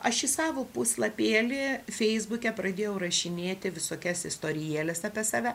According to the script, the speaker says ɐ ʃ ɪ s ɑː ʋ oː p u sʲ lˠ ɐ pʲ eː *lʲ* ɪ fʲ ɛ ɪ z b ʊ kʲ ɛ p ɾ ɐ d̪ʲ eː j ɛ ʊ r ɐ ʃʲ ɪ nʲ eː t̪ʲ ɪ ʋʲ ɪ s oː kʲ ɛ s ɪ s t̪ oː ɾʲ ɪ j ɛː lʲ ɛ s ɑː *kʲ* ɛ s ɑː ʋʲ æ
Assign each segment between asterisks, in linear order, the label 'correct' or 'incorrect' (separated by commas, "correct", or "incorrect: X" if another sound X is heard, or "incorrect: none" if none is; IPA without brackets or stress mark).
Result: correct, incorrect: pʲ